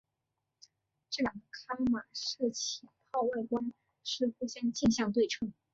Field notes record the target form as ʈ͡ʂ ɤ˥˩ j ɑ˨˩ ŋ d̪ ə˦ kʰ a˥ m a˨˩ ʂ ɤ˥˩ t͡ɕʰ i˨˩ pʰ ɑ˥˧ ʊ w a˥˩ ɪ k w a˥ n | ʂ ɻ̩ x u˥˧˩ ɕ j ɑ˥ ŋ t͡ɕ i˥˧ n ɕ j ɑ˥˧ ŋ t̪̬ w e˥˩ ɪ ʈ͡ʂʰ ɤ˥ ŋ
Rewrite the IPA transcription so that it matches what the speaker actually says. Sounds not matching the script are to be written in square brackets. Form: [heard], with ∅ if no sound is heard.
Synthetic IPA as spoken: ʈ͡ʂ ɤ˥˩ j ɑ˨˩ ŋ d̪ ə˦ kʰ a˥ m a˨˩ ʂ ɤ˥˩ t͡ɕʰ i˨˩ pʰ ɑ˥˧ ʊ w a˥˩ ɪ k w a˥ n | ʂ ɻ̩ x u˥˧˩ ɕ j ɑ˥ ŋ t͡ɕ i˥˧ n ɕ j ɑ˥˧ ŋ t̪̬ w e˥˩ ɪ ʈ͡ʂʰ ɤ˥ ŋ

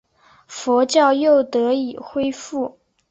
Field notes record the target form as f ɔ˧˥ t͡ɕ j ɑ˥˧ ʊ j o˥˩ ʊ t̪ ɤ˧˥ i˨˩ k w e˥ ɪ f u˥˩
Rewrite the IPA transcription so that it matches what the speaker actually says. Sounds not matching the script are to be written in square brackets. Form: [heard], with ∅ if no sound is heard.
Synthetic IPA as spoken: f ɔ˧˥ t͡ɕ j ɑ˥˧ ʊ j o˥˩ ʊ t̪ ɤ˧˥ i˨˩ [x] w e˥ ɪ f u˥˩

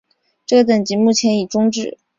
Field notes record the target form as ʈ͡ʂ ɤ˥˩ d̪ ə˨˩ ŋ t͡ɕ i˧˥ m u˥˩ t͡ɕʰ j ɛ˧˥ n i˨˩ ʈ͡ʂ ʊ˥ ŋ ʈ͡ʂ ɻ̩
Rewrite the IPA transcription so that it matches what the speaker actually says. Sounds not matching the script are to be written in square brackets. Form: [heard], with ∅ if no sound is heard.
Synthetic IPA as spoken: ʈ͡ʂ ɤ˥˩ [t̪] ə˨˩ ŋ t͡ɕ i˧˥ m u˥˩ t͡ɕʰ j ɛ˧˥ n i˨˩ ʈ͡ʂ ʊ˥ ŋ ʈ͡ʂ ɻ̩

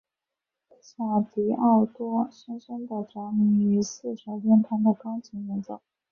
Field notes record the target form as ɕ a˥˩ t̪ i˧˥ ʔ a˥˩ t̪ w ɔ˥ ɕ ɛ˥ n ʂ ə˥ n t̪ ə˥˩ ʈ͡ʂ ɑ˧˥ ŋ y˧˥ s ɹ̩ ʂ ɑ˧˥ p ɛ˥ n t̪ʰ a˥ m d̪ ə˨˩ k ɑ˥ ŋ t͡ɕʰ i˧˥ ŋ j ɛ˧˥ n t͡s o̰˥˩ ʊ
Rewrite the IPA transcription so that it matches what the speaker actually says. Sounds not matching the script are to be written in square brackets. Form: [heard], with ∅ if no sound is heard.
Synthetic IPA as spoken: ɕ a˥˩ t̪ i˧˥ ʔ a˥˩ t̪ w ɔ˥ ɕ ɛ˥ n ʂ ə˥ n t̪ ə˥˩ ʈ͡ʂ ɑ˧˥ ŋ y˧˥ s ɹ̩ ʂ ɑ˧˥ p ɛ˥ n t̪ʰ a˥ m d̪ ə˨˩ k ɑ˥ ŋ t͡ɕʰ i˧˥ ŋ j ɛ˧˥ n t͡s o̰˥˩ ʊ

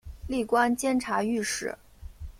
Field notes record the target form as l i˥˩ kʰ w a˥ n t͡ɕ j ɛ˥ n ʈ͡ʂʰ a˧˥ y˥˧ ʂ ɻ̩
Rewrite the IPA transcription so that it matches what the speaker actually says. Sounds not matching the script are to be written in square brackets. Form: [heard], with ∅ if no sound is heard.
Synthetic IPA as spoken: l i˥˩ [k] w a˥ n t͡ɕ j ɛ˥ n ʈ͡ʂʰ a˧˥ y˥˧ ʂ ɻ̩

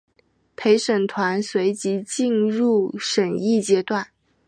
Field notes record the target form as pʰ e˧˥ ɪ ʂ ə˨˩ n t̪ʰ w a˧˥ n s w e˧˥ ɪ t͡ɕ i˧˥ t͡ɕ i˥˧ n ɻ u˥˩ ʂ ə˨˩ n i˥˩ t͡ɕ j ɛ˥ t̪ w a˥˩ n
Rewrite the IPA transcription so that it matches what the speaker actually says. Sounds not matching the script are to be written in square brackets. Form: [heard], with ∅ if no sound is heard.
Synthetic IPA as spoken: pʰ e˧˥ ɪ ʂ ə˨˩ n t̪ʰ w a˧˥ n s w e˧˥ ɪ t͡ɕ i˧˥ t͡ɕ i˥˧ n ɻ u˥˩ ʂ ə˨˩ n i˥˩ t͡ɕ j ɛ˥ t̪ w a˥˩ n

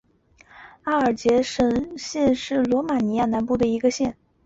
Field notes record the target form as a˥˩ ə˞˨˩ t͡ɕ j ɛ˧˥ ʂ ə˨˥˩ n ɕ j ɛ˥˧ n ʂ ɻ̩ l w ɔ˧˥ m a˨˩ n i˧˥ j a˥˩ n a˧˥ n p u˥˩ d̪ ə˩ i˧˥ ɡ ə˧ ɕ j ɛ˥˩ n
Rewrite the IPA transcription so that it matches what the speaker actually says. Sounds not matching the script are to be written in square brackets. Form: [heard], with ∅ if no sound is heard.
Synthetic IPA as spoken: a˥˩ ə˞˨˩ t͡ɕ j ɛ˧˥ ʂ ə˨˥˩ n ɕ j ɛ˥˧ n ʂ ɻ̩ l w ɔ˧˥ m a˨˩ n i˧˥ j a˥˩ n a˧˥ n p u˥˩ d̪ ə˩ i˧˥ ɡ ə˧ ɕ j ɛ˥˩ n

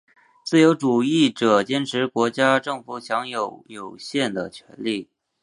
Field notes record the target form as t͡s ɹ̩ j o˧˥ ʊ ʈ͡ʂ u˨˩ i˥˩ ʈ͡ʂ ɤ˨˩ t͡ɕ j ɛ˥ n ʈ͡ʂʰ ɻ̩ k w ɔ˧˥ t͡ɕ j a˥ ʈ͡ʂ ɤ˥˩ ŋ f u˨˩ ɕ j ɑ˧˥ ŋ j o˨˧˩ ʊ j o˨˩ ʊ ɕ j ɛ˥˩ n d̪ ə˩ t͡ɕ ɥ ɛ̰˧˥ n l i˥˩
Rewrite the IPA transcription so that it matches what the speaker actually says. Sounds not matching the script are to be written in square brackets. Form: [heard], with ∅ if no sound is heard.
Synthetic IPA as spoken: t͡s ɹ̩ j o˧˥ ʊ ʈ͡ʂ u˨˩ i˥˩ ʈ͡ʂ ɤ˨˩ t͡ɕ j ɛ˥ n ʈ͡ʂʰ ɻ̩ k w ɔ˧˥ t͡ɕ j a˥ ʈ͡ʂ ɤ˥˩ ŋ f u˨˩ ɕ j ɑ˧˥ ŋ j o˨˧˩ ʊ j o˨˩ ʊ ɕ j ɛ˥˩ n d̪ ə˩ [t͡ɕʰ] ɥ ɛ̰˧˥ n l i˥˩

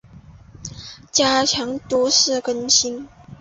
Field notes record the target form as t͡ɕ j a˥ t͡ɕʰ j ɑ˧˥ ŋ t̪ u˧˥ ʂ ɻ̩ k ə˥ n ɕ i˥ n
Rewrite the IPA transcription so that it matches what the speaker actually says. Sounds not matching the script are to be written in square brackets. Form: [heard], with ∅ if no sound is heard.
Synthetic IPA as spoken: t͡ɕ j a˥ t͡ɕʰ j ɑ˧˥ ŋ t̪ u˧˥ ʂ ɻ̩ k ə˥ n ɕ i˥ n

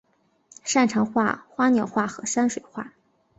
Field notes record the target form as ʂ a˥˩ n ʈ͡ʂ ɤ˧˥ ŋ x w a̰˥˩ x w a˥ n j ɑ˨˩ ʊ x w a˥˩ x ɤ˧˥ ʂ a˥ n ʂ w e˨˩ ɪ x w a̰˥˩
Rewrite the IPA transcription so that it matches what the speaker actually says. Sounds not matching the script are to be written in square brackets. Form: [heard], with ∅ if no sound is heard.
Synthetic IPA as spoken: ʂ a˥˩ n [ʈ͡ʂʰ] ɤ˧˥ ŋ x w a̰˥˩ x w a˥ n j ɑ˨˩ ʊ x w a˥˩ x ɤ˧˥ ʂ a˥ n ʂ w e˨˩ ɪ x w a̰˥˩

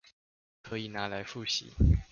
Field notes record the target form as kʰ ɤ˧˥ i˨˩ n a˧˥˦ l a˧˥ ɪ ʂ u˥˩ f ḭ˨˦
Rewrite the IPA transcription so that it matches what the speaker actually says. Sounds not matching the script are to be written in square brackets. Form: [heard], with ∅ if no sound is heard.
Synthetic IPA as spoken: kʰ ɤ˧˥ i˨˩ n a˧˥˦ l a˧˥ ɪ [f] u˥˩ [ɕ] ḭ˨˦

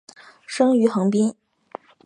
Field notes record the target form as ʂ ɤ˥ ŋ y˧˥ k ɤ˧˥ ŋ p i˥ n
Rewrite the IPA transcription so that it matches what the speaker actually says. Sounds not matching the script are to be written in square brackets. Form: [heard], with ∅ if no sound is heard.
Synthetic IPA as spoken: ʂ ɤ˥ ŋ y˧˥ [x] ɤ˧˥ ŋ p i˥ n

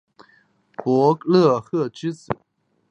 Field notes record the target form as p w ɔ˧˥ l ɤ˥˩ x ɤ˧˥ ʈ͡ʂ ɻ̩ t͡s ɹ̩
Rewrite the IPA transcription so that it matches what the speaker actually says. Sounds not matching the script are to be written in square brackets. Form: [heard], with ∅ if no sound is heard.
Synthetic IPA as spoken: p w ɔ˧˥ l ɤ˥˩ x [ɤ˥˩] ʈ͡ʂ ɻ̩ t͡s ɹ̩

